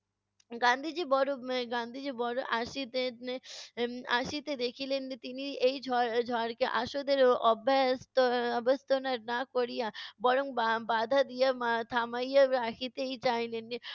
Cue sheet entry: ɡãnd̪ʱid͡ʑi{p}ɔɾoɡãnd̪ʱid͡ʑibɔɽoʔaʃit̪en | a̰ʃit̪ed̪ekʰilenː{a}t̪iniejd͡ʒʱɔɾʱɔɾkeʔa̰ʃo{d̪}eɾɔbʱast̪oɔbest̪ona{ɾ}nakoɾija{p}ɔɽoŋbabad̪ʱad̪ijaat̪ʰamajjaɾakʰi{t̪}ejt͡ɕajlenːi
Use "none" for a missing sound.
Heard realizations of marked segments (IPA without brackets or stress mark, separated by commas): b, i, d̪, ɾ, b, t̪